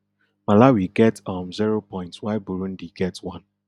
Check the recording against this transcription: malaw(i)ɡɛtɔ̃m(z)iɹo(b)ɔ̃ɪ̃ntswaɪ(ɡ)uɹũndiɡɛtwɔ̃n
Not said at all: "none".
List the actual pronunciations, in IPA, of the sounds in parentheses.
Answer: i, z, p, b

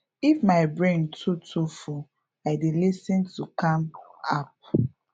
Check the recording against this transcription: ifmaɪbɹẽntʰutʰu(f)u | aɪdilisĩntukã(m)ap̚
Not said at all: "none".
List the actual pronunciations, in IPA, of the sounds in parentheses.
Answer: f, m

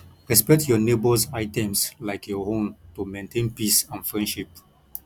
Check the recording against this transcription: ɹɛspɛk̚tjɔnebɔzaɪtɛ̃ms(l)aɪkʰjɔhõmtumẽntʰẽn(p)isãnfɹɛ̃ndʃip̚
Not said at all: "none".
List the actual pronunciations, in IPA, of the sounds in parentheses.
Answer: l, p

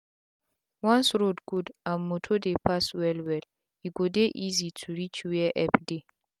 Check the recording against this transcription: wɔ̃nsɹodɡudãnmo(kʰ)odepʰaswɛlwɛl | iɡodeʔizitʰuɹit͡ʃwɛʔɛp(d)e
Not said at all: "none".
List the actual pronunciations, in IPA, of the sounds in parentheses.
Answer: tʰ, d

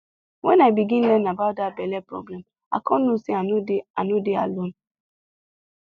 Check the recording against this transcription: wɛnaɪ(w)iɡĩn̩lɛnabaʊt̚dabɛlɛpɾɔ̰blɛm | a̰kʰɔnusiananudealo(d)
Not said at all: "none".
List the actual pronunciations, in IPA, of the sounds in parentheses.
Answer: b, n

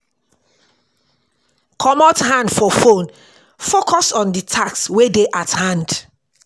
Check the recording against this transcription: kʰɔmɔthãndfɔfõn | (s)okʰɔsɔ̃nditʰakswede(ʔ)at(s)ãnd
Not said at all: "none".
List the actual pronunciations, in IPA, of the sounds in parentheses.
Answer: f, ʔ, h

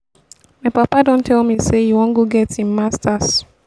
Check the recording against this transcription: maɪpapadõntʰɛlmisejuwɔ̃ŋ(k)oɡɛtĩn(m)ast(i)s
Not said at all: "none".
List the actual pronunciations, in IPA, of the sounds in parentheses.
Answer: ɡ, m, a

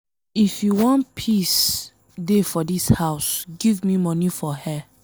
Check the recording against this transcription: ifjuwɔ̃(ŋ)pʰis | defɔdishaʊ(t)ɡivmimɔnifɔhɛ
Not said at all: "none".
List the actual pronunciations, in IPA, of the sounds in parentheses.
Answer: n, s

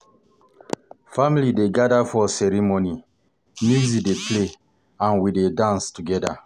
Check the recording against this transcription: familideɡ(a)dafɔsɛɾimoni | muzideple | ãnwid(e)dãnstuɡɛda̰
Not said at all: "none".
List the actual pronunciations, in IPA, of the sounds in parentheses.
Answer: a, e

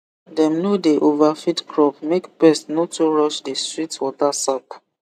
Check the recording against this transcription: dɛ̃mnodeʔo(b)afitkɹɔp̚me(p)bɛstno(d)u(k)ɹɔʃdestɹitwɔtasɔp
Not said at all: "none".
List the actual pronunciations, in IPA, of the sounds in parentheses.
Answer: v, k, t, none

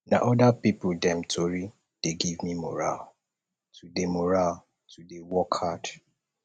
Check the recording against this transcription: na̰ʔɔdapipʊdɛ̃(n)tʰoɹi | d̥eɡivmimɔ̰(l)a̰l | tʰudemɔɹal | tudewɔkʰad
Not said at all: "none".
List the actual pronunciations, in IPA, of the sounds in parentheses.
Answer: m, ɹ

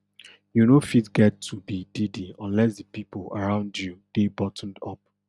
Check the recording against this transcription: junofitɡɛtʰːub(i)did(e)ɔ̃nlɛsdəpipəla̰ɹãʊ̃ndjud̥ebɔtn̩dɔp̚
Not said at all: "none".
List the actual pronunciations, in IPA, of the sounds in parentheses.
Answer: i, i

